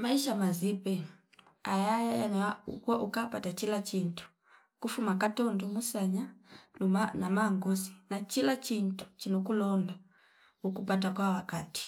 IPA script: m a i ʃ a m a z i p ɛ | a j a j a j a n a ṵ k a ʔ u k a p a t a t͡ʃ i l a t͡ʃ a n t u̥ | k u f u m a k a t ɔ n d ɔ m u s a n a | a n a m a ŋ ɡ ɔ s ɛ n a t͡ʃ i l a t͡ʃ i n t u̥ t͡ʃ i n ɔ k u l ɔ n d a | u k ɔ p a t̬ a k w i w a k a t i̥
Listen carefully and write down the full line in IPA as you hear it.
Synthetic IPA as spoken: m a i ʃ a m a z i p ɛ | a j a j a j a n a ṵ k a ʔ u k a p a t a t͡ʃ i l a t͡ʃ i n t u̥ | k u f u m a k a t ɔ n d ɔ m u s a ɲ a | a n a m a ŋ ɡ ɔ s i n a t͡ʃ i l a t͡ʃ i n t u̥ t͡ʃ i n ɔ k u l ɔ n d a | u k u p a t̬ a k w a w a k a t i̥